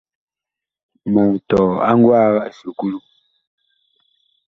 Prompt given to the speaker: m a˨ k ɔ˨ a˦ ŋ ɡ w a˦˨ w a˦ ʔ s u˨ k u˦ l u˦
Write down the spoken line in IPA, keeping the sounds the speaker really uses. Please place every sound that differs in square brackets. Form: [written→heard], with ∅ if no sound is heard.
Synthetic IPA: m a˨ [k→t] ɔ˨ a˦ ŋ ɡ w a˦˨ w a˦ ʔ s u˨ k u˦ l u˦